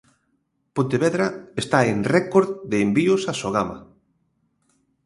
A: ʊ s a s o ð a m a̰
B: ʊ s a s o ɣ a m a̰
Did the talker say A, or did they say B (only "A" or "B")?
B